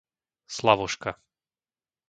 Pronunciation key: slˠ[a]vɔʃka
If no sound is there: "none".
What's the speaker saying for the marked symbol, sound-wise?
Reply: a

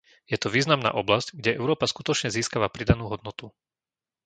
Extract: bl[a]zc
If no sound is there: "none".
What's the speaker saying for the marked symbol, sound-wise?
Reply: a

